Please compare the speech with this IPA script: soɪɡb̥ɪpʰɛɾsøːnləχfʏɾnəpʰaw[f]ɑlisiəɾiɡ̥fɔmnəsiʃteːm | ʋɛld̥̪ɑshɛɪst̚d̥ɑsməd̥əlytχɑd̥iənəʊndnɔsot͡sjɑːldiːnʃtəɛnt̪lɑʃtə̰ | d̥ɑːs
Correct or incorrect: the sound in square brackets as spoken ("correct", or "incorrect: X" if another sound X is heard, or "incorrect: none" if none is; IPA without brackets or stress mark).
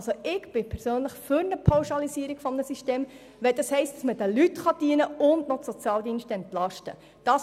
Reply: incorrect: ʃ